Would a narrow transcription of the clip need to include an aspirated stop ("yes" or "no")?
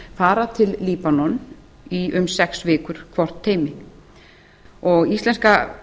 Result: yes